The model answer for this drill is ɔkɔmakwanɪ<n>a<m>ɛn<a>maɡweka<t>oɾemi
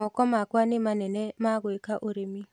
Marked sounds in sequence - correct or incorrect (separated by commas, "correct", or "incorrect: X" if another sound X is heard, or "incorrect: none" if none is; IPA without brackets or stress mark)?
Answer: incorrect: m, incorrect: n, incorrect: ɛ, incorrect: ʔ